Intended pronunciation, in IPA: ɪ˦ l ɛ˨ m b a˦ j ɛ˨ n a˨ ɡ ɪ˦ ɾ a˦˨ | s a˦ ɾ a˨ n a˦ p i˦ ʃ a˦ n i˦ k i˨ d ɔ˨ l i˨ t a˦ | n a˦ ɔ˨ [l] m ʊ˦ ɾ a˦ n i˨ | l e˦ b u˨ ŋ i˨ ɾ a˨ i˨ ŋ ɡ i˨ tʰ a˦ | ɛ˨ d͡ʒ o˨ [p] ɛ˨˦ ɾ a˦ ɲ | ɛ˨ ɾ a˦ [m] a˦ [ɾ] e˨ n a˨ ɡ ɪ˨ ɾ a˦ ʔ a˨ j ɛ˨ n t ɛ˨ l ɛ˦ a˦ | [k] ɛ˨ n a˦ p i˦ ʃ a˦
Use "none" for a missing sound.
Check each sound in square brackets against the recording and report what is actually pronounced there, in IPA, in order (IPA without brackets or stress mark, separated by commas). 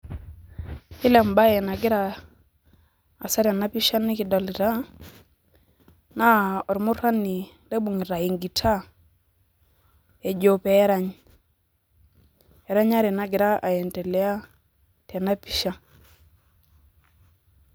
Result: ɾ, p, ɲ, ɾ, t